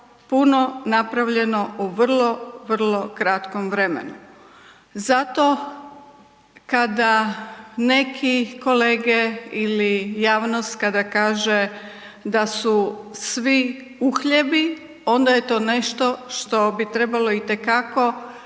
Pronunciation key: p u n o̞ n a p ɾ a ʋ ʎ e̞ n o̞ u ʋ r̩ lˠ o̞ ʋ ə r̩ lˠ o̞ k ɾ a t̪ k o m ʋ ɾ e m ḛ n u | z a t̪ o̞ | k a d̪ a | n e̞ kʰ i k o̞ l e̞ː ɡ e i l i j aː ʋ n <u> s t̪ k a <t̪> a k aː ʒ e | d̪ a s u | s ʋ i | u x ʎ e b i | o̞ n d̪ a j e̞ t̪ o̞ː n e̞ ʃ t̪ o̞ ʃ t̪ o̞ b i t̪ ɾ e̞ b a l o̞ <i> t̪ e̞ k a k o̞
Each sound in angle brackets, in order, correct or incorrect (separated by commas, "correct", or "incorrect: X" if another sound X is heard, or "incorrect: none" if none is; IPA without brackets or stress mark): incorrect: o, incorrect: d̪, correct